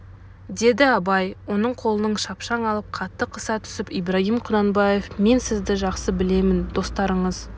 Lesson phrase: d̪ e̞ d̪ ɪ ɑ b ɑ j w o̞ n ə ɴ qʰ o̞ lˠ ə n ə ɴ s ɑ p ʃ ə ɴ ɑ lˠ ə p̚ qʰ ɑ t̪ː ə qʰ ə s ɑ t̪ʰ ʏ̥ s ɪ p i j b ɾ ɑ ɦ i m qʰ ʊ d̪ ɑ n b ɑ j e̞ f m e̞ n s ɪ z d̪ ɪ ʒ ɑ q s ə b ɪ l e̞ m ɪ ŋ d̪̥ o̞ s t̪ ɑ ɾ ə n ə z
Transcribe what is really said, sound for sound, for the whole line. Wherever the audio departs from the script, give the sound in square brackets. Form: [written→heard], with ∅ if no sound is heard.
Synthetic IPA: d̪ e̞ d̪ ɪ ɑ b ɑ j w o̞ n ə ɴ qʰ o̞ lˠ ə n ə ɴ [s→ʃ] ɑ p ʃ [ə→ɑ] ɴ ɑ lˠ ə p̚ qʰ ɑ t̪ː ə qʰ ə s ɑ t̪ʰ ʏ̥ s ɪ p i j b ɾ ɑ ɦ i m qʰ ʊ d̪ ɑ n b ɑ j e̞ f m e̞ n s ɪ z d̪ ɪ ʒ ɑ q s ə b ɪ l e̞ m ɪ [ŋ→n] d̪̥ o̞ s t̪ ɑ ɾ ə [n→ɴ] ə z